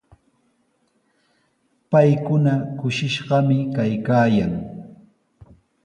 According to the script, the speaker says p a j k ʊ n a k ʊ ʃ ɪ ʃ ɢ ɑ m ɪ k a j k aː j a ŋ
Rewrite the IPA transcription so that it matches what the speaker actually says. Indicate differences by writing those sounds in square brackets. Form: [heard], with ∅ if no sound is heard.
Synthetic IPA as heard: p a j k ʊ n a k ʊ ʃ ɪ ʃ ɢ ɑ m ɪ k a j k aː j a ŋ